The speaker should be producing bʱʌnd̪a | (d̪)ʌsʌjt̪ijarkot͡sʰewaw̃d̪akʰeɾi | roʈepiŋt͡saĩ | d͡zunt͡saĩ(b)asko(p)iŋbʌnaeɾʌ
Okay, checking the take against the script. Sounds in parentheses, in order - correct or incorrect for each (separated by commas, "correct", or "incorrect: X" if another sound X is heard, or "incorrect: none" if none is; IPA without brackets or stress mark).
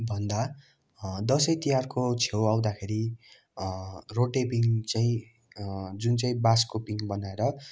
correct, correct, correct